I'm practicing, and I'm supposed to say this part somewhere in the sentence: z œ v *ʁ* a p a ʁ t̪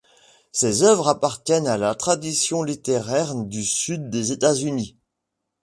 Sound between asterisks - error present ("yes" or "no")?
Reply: no